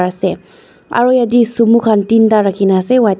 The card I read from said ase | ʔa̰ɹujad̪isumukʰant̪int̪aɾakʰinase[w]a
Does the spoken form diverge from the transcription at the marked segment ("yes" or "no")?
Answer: no